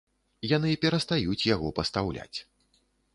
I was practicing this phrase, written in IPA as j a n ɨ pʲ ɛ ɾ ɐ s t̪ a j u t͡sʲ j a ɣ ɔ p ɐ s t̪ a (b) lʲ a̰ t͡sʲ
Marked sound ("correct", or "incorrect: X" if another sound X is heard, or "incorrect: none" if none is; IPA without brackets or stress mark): incorrect: w